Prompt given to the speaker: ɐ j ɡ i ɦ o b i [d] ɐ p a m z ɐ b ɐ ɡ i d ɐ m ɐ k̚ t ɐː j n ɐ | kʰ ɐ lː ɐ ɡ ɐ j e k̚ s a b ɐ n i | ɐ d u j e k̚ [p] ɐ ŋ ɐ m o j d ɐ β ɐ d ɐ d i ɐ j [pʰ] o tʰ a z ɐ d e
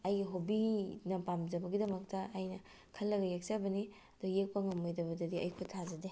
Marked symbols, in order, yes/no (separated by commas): no, yes, no